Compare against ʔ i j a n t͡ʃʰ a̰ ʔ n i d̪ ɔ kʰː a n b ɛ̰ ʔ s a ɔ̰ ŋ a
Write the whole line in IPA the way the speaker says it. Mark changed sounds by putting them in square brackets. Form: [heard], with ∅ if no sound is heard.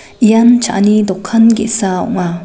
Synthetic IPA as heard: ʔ i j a n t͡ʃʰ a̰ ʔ n i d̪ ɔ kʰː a n [ɡ] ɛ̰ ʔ s a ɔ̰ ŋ a